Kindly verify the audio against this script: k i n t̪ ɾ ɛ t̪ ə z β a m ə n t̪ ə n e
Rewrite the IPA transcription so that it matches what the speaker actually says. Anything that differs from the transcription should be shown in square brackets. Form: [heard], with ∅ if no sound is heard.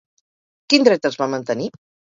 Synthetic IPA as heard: k i n [d̪] ɾ ɛ t̪ ə z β a m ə n t̪ ə n [i]